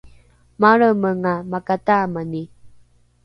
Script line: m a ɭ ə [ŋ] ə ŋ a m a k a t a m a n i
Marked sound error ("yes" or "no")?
yes